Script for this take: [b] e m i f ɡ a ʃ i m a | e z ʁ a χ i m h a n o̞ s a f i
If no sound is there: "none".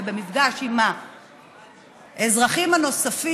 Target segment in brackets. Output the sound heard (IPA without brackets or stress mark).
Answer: b